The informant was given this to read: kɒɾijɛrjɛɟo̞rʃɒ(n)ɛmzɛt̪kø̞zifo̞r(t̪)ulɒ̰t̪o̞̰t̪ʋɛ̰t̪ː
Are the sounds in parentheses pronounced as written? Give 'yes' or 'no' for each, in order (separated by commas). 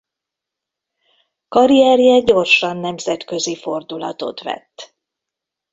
no, no